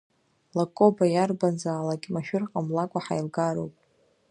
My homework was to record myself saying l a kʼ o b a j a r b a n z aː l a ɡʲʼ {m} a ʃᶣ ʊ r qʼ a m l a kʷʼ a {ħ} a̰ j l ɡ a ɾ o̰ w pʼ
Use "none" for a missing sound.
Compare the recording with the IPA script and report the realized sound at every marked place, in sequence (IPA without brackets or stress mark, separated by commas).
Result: m, ħ